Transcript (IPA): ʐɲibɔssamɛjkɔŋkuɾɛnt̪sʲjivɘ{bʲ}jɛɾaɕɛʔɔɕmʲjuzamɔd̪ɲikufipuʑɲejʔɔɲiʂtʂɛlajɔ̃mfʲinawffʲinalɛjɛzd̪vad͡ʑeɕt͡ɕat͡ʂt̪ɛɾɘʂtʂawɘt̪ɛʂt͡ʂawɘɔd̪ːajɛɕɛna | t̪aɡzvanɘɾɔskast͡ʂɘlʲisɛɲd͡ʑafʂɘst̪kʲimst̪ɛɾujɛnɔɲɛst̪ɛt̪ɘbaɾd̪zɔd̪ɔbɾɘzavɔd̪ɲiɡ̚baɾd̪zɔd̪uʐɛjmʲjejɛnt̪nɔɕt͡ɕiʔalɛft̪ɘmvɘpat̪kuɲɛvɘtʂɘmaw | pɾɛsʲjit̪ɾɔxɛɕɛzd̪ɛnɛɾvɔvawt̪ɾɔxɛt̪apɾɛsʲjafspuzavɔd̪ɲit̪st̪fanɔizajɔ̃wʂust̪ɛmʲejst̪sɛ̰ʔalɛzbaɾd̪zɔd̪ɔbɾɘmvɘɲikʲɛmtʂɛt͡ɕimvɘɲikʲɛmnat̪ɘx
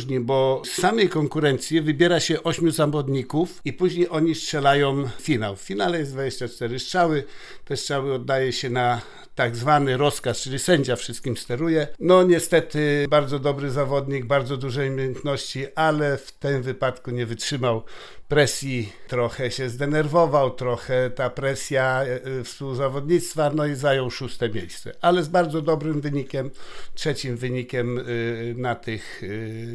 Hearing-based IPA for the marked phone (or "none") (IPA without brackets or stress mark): bʲ